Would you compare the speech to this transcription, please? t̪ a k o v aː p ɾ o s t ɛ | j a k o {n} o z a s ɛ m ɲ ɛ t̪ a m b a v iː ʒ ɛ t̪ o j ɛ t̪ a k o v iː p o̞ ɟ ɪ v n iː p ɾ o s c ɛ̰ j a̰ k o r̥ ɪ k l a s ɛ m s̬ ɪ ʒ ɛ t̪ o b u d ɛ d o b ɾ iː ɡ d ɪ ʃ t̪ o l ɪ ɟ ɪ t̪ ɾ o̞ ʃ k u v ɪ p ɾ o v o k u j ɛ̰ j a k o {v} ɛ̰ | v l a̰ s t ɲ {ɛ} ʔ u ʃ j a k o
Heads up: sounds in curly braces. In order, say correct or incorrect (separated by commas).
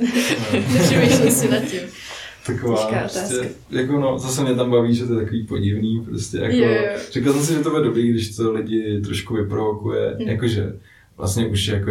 correct, incorrect, correct